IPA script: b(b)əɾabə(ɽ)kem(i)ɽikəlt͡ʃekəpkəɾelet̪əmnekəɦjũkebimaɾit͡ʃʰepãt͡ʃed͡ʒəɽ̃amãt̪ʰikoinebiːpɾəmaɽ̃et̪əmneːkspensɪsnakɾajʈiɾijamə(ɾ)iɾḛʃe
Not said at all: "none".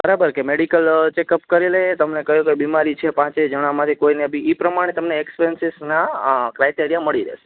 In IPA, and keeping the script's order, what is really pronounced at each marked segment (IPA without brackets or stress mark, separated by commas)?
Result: b, ɾ, e, ɭ